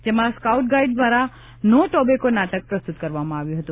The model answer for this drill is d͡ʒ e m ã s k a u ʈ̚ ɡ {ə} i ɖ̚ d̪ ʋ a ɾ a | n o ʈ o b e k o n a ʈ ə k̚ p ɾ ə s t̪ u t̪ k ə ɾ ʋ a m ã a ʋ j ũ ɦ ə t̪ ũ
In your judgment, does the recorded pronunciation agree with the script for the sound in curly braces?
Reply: no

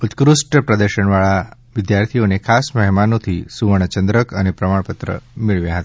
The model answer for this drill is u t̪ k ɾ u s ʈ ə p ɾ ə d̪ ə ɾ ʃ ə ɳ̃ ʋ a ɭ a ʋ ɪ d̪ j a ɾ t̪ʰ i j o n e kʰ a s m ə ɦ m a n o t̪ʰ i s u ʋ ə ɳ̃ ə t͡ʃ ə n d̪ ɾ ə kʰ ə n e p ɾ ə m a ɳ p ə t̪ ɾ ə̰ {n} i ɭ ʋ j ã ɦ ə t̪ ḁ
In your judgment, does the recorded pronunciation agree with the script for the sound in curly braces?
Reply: no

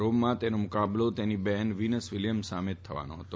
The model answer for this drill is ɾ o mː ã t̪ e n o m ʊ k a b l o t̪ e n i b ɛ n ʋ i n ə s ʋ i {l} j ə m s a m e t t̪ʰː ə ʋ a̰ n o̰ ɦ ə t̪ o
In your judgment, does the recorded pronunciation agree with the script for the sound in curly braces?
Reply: yes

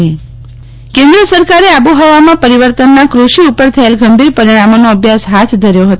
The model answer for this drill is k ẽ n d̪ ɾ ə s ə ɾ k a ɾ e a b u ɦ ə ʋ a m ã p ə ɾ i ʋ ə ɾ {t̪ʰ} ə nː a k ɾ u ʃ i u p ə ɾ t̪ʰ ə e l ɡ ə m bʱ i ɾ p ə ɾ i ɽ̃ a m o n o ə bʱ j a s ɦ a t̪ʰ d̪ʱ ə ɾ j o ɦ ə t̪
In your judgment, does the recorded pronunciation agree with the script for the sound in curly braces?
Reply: no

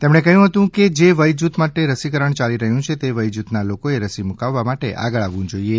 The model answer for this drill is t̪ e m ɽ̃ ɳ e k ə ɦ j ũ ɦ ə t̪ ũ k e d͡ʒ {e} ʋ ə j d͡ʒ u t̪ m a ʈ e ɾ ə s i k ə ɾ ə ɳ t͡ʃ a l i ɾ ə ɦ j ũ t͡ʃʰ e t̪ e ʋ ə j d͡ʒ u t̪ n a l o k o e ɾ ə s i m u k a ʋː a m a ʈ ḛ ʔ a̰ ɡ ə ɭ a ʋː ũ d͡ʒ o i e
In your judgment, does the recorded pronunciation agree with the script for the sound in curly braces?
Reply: yes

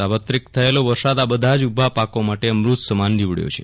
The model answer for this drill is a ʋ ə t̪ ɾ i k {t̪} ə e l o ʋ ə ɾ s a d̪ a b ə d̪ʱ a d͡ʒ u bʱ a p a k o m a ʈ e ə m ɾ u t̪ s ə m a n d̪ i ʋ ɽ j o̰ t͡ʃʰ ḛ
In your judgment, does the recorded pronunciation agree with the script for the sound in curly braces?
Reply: no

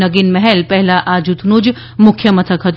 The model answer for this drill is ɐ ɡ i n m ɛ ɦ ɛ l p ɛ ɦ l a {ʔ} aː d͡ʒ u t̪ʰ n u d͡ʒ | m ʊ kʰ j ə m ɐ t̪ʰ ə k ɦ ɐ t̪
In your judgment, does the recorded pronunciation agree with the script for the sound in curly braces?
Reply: yes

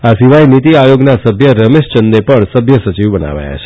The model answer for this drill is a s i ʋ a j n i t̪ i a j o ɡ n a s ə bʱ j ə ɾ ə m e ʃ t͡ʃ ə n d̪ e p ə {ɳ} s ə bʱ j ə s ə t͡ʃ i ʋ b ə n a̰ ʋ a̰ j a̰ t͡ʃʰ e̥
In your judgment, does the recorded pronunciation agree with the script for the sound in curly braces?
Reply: yes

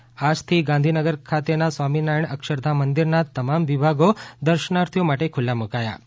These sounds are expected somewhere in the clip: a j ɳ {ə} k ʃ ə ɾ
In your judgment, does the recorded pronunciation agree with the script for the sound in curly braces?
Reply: yes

